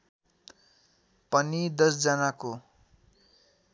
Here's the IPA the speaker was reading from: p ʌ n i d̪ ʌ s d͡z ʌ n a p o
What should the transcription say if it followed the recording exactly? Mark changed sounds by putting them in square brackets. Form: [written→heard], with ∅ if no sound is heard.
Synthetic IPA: p ʌ n i d̪ ʌ s d͡z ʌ n a [p→k] o